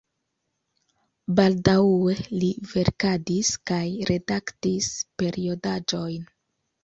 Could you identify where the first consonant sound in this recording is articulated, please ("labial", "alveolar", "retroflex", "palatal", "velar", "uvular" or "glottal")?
labial